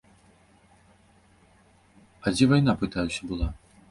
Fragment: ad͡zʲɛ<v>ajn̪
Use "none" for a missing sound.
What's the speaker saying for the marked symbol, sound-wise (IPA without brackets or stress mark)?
v